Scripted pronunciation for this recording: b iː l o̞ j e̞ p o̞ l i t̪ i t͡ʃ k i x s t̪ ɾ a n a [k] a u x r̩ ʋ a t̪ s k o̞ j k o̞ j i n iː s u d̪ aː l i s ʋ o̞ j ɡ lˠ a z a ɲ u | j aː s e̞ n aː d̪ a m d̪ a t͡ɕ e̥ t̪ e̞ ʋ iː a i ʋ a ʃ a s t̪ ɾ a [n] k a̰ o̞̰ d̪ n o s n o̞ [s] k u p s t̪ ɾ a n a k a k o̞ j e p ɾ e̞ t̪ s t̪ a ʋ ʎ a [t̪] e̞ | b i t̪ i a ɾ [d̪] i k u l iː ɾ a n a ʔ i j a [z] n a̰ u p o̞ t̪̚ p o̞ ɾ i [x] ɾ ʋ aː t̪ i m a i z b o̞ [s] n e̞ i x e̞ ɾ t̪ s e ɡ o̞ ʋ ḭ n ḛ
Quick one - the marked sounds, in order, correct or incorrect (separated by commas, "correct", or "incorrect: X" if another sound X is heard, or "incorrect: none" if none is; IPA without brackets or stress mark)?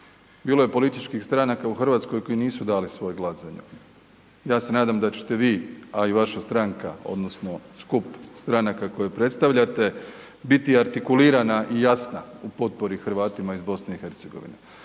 correct, incorrect: ŋ, correct, correct, incorrect: t̪, incorrect: s, correct, correct